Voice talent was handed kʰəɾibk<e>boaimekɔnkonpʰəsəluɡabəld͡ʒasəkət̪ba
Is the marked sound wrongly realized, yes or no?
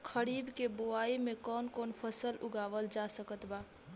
no